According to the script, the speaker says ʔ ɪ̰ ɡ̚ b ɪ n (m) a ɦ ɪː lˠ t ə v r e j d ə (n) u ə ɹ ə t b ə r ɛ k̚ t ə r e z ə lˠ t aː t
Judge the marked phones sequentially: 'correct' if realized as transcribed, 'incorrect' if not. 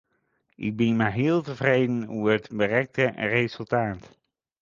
correct, correct

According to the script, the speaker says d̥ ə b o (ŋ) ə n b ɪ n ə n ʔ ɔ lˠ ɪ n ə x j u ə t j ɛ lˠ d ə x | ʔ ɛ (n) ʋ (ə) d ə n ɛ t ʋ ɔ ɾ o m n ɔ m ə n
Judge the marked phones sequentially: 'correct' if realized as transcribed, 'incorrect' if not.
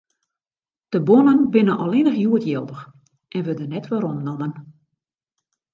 incorrect, correct, correct

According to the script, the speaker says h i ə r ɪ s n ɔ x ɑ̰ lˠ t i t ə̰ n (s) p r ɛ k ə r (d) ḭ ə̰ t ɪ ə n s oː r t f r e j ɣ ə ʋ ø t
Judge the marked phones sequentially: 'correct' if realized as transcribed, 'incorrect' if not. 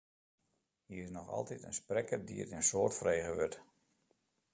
correct, correct

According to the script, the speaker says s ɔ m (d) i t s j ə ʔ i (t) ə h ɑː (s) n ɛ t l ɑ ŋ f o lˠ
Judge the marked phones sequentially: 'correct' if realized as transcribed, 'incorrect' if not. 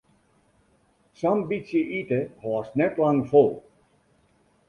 incorrect, correct, correct

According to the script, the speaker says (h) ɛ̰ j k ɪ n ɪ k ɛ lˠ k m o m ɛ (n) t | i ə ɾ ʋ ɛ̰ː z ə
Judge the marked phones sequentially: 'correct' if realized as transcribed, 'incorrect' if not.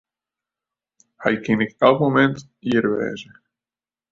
correct, correct

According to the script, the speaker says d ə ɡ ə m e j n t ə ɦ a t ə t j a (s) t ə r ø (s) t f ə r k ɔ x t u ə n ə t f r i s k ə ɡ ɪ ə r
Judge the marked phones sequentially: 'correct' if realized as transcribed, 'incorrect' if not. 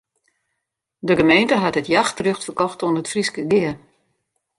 incorrect, incorrect

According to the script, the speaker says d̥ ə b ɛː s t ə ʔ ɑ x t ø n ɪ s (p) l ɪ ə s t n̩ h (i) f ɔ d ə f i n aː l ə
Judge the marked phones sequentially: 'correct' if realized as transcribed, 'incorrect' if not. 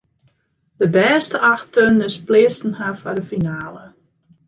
correct, incorrect

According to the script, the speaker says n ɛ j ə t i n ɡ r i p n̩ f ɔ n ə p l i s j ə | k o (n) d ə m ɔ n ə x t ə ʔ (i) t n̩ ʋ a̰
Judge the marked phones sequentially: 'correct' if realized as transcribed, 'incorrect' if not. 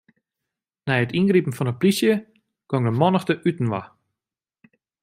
incorrect, incorrect

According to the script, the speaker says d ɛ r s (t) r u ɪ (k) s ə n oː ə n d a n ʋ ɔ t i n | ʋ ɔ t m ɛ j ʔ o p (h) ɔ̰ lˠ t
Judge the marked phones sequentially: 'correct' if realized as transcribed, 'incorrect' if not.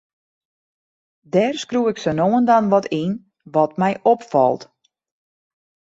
incorrect, correct, incorrect

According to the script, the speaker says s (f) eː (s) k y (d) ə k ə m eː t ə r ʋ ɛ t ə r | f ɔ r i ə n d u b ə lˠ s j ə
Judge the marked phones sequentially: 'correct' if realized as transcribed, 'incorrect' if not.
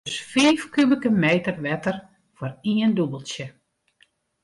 correct, incorrect, incorrect

